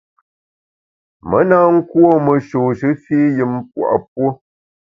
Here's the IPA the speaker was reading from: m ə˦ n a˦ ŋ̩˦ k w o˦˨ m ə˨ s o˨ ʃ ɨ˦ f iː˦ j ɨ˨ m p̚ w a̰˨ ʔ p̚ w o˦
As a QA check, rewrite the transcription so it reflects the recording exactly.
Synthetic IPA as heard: m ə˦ n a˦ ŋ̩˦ k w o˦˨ m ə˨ ʃ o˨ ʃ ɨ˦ f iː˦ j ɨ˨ m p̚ w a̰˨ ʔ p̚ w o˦